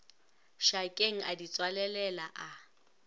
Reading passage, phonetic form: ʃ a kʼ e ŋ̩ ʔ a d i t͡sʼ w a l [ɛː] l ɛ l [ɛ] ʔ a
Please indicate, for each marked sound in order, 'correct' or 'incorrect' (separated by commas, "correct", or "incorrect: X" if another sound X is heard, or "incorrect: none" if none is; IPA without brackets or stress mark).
incorrect: ɛ, incorrect: a